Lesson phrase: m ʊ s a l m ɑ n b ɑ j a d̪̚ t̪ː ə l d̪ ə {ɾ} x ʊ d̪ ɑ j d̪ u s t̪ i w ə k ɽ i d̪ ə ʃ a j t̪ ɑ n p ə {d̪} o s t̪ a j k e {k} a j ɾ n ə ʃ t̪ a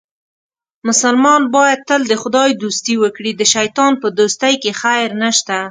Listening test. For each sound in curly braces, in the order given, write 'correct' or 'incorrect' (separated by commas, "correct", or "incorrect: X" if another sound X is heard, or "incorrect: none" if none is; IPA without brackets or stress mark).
incorrect: none, correct, incorrect: x